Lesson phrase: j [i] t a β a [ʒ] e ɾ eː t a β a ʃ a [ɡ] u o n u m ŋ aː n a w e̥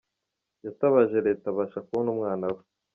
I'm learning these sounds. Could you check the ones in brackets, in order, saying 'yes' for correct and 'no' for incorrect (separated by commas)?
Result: no, yes, no